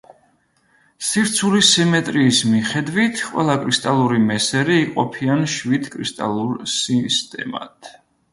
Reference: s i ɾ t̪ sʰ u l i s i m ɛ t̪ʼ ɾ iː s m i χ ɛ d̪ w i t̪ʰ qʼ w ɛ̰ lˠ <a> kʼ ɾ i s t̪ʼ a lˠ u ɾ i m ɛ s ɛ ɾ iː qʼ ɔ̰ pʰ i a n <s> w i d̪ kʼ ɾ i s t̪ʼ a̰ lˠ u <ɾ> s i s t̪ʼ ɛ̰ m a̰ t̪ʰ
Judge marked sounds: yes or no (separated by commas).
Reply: yes, no, yes